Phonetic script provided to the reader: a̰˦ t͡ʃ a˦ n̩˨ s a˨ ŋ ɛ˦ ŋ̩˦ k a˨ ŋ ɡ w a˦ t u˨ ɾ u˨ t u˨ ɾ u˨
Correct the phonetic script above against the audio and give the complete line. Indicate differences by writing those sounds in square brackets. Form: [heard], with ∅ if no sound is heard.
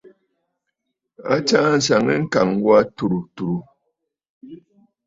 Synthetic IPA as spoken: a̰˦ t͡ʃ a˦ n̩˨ s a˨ ŋ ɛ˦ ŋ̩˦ k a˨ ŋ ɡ w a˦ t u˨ ɾ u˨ t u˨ ɾ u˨